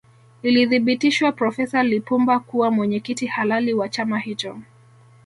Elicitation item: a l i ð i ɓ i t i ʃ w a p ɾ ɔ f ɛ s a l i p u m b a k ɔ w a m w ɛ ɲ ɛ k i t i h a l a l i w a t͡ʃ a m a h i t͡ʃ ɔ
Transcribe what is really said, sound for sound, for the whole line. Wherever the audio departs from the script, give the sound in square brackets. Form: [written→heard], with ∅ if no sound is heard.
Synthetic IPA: [a→i] l i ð i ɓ i t i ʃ w a p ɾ ɔ f ɛ s a l i p u m b a k [ɔ→u] w a m w ɛ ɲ ɛ k i t i h a l a l i w a t͡ʃ a m a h i t͡ʃ ɔ

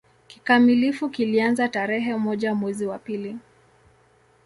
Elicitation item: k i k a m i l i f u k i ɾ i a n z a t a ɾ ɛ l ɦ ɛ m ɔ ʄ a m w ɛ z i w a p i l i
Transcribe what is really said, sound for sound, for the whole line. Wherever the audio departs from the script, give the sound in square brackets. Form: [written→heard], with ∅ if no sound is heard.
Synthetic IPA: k i k a m i l i f u k i [ɾ→l] i a n z a t a ɾ ɛ [l→∅] ɦ ɛ m ɔ ʄ a m w ɛ z i w a p i l i

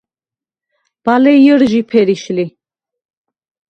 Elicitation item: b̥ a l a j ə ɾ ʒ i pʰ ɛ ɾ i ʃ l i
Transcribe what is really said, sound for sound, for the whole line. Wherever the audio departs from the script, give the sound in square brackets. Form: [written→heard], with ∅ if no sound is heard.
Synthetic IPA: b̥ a l [a→ɛ] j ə ɾ ʒ i pʰ ɛ ɾ i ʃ l i

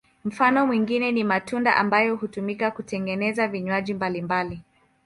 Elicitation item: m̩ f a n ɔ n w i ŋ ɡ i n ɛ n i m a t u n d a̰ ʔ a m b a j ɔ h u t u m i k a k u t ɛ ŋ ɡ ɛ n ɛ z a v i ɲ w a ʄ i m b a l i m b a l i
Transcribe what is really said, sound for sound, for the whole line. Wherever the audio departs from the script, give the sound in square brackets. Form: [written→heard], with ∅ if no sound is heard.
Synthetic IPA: m̩ f a n ɔ [n→m] w i ŋ ɡ i n ɛ n i m a t u n d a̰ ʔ a m b a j ɔ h u t u m i k a k u t ɛ ŋ ɡ ɛ n ɛ z a v i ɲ w a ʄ i m b a l i m b a l i

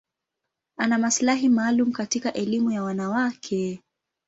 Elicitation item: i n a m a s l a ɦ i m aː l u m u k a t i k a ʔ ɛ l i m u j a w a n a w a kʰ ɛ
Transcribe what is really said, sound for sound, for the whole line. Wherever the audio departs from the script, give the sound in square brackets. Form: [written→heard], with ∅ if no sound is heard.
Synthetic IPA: [i→a] n a m a s l a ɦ i m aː l u m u k a t i k a ʔ ɛ l i m u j a w a n a w a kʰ ɛ

